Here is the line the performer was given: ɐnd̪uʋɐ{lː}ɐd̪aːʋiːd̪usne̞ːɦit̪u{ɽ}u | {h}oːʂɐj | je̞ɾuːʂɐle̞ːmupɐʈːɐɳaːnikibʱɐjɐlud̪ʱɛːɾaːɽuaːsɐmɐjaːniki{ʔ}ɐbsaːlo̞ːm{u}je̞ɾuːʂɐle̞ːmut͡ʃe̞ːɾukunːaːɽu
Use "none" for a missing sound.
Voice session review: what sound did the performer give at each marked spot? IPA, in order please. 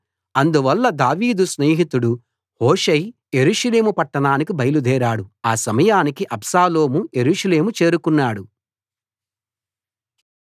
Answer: lː, ɽ, h, ʔ, u

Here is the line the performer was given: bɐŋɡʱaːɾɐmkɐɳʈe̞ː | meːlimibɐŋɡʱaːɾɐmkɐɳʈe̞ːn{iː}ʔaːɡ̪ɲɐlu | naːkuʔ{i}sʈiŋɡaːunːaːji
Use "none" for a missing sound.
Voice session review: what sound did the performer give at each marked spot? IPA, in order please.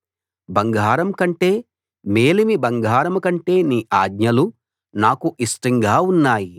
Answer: iː, i

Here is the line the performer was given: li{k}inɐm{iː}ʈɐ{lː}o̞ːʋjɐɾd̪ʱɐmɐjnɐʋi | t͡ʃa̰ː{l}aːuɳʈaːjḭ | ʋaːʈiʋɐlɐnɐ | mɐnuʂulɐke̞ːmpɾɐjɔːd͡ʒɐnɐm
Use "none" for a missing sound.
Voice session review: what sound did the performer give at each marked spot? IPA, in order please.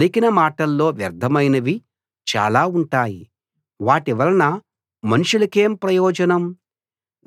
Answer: k, aː, lː, l

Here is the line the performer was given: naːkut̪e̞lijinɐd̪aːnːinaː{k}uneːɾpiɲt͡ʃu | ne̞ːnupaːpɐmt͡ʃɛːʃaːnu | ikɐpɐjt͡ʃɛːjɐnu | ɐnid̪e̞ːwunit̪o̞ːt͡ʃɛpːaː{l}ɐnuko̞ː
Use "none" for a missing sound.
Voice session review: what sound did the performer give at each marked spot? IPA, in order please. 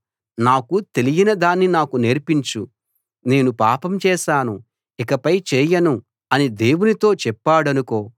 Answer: k, ɽ

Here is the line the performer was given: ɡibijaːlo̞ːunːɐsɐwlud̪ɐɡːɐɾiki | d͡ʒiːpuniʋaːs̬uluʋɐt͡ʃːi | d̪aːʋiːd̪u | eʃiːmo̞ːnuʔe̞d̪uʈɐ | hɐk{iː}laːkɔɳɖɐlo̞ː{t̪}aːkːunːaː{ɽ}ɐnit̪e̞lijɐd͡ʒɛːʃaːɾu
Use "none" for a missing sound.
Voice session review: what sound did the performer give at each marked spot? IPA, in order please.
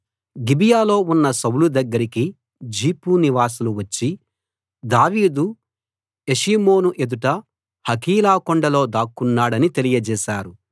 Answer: iː, d̪, ɽ

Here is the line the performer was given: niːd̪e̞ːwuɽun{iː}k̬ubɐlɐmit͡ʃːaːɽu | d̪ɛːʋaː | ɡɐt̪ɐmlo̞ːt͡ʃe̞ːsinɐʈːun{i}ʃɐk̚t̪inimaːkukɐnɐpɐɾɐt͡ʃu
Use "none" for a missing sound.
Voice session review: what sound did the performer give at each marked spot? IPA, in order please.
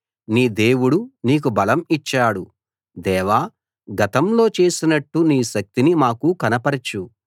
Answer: iː, iː

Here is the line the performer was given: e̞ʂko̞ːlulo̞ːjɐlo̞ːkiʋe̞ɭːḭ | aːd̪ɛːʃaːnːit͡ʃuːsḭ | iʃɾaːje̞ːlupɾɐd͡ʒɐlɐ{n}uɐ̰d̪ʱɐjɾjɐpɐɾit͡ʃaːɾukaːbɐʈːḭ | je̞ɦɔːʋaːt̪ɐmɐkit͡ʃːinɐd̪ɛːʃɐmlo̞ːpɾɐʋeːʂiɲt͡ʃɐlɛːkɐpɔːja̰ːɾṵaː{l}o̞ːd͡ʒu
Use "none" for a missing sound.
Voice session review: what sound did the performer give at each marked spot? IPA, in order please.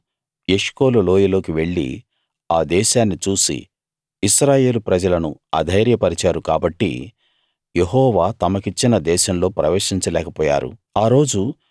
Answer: n, ɾ

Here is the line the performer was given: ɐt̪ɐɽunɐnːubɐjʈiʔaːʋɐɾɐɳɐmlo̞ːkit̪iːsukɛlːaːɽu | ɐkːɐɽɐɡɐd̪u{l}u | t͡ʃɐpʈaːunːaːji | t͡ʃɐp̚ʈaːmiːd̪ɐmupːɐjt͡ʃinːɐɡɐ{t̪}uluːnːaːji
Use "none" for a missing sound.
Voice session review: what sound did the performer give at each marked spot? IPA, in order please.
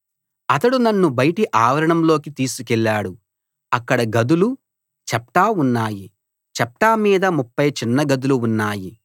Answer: l, d̪

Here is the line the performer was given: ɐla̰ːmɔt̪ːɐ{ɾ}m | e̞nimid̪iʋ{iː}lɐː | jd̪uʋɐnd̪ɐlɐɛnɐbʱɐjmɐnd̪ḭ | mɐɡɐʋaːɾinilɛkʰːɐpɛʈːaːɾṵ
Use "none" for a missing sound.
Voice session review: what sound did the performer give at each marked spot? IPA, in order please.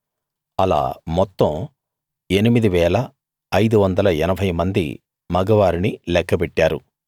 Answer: none, ɛː

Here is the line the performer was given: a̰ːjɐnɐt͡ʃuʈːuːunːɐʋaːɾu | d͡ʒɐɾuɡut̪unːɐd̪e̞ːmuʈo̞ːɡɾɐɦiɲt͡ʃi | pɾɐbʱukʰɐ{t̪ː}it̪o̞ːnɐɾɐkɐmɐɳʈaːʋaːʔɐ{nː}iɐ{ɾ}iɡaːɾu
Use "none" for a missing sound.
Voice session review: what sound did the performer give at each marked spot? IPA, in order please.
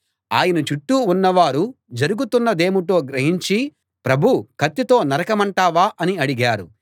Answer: t̪ː, n, ɽ

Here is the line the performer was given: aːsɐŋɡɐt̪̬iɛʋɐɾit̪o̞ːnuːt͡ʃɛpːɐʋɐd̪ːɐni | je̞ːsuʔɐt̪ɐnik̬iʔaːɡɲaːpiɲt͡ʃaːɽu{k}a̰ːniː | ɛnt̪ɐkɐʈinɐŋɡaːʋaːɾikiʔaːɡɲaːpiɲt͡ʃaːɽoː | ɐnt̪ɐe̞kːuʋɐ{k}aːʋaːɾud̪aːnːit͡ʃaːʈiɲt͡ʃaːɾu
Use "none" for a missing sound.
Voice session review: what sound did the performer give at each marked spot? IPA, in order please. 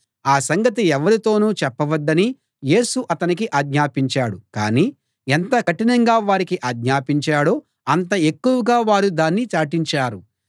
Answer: k, ɡ

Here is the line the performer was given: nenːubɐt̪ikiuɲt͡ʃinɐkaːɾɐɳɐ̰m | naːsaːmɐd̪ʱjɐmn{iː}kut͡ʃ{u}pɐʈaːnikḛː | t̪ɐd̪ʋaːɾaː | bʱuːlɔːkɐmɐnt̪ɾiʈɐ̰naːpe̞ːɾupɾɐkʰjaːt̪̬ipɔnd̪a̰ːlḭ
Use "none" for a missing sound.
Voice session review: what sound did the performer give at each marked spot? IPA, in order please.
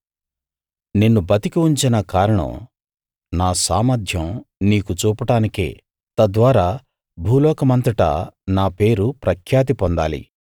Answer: iː, uː

